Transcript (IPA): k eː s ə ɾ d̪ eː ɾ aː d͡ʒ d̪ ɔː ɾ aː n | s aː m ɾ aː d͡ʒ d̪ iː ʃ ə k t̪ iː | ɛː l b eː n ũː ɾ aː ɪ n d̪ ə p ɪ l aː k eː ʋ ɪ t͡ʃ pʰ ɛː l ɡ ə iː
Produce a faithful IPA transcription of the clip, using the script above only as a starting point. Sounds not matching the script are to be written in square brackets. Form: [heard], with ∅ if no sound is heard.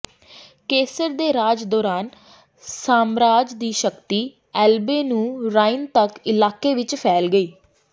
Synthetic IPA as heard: k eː s ə ɾ d̪ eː ɾ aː d͡ʒ d̪ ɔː ɾ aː n | s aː m ɾ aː d͡ʒ d̪ iː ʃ ə k t̪ iː | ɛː l b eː n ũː ɾ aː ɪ n [t̪] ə [k] ɪ l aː k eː ʋ ɪ t͡ʃ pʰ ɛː l ɡ ə iː